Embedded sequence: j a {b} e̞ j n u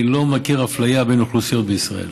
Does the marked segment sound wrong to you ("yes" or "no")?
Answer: no